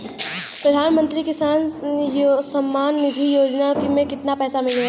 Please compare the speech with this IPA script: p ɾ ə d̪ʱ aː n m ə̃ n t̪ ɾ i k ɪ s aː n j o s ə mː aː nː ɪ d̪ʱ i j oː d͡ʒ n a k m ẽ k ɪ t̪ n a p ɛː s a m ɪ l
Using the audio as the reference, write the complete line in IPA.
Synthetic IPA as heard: p ɾ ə d̪ʱ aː n m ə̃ n t̪ ɾ i k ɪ s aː n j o s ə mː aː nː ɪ d̪ʱ i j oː d͡ʒ n a k m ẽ k ɪ t̪ n a p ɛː s a m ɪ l